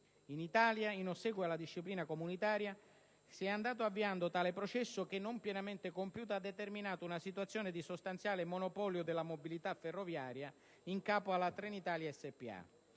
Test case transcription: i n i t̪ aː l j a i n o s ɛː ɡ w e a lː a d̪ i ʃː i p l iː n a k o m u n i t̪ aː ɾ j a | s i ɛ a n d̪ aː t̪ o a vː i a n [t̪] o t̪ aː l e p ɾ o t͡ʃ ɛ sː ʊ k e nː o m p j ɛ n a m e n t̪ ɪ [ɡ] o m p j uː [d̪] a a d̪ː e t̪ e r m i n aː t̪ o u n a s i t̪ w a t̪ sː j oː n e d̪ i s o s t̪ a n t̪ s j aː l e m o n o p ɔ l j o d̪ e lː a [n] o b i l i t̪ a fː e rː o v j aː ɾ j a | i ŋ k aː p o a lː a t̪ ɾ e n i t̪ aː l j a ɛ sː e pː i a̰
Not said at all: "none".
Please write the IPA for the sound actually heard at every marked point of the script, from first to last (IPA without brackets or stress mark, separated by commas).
d̪, k, t̪, m